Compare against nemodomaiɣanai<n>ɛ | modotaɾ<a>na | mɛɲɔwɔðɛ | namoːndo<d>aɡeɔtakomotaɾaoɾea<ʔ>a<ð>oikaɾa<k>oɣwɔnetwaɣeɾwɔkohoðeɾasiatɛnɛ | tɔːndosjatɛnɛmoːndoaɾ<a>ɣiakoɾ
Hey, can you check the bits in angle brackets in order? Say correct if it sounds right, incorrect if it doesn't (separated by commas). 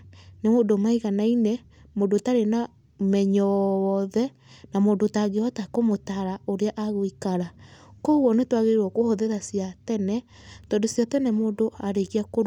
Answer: correct, incorrect, incorrect, correct, incorrect, correct, incorrect